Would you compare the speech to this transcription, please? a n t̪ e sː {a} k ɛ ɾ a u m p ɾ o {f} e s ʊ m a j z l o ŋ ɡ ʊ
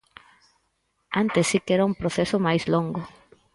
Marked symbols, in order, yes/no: no, no

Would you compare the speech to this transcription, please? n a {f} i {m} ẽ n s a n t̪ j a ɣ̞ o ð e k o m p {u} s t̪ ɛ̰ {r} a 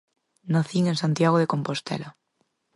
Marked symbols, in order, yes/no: no, no, no, no

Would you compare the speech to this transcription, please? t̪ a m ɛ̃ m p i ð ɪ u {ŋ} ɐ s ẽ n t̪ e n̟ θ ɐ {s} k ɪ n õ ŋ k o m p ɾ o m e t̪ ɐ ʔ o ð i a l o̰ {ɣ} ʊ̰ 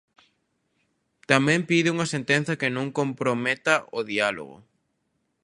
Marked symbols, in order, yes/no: yes, no, yes

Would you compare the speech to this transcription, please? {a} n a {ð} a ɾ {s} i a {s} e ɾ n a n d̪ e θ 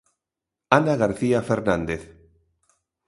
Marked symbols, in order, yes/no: yes, no, no, no

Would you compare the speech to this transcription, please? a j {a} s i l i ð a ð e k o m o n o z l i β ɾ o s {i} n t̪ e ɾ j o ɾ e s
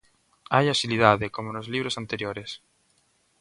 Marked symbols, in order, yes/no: yes, no

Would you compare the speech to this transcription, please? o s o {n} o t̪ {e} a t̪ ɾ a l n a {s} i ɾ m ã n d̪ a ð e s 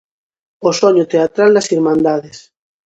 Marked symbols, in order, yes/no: no, yes, yes

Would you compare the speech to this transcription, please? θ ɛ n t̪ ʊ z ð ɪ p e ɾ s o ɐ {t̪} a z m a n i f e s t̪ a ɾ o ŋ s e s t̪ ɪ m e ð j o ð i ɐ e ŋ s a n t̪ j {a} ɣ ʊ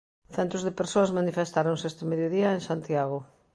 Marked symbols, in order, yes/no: no, yes

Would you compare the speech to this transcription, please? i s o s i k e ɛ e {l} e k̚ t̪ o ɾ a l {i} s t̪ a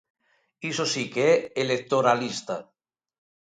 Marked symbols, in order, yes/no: yes, yes

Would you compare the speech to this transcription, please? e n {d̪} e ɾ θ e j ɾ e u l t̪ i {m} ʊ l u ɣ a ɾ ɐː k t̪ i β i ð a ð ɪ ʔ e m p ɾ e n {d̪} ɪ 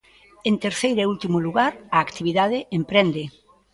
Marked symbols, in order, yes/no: no, yes, yes

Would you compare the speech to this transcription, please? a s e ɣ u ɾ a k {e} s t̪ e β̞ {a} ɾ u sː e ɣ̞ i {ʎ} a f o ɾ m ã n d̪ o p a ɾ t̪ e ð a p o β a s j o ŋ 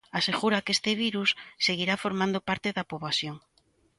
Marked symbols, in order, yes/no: yes, no, no

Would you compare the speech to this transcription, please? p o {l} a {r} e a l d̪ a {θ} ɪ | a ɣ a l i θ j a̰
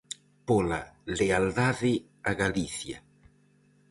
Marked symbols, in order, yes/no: yes, no, no

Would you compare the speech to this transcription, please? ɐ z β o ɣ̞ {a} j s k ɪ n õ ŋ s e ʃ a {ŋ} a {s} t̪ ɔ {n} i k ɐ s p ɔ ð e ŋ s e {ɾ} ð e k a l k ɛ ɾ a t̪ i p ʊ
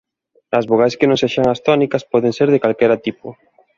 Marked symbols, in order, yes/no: yes, yes, yes, yes, yes

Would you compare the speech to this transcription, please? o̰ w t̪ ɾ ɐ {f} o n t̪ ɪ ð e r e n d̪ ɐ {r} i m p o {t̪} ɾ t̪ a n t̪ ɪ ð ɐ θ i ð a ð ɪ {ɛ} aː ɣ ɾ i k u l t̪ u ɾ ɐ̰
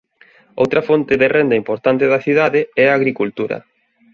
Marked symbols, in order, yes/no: yes, no, no, yes

